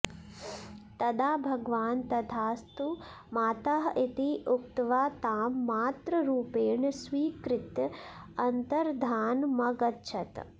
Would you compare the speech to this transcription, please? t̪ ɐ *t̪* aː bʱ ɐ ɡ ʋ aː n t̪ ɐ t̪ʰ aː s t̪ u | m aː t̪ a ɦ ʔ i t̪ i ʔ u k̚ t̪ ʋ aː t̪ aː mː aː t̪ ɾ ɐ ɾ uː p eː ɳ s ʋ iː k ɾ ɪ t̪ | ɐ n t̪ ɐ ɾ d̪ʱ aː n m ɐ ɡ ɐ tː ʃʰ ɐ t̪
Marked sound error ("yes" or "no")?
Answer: yes